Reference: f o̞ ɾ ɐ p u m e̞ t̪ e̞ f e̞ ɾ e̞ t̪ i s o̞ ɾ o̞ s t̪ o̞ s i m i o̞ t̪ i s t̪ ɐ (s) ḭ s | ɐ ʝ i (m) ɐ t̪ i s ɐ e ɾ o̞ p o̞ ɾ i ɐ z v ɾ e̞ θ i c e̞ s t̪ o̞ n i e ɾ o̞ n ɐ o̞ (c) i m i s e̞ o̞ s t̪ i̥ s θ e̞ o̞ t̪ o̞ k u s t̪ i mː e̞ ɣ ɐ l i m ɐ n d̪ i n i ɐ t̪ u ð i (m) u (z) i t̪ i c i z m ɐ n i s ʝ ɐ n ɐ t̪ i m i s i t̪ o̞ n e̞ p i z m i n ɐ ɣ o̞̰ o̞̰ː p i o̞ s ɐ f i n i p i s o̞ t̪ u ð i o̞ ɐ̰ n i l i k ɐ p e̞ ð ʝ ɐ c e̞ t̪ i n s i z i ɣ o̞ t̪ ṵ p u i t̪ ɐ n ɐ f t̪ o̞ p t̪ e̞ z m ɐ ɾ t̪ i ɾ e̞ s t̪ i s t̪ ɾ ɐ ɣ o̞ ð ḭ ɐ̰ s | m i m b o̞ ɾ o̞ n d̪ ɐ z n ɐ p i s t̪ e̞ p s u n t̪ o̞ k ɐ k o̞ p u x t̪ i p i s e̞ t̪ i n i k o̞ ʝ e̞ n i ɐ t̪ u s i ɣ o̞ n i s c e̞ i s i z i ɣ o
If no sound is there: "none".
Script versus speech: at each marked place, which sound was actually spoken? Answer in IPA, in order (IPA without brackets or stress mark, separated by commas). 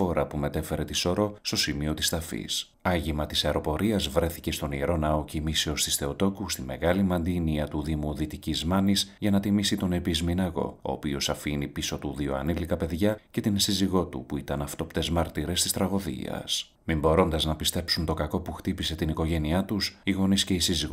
f, m, c, m, ð